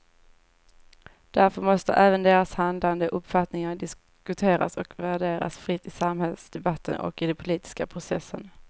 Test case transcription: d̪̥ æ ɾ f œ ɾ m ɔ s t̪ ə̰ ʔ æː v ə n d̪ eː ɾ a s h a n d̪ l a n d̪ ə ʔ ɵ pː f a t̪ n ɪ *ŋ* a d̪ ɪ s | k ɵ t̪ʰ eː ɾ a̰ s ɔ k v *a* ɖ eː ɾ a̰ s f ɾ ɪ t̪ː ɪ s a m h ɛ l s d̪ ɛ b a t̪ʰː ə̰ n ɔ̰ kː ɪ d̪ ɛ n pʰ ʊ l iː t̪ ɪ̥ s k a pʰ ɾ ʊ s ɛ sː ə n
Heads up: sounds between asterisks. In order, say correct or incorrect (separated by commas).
correct, incorrect